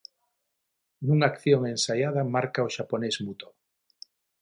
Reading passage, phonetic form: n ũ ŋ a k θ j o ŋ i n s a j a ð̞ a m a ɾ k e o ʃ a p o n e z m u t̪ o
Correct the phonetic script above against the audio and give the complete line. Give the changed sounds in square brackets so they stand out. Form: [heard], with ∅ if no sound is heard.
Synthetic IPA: n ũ ŋ a k θ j o ŋ [e] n s a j a ð̞ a m a ɾ k [a] o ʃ a p o n e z m u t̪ o